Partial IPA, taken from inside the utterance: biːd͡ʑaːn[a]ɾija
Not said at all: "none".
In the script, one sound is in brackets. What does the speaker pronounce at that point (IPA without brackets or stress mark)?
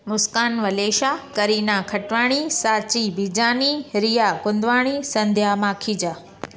i